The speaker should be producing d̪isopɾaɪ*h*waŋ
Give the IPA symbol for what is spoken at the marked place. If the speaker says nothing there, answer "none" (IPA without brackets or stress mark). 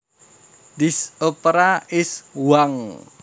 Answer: s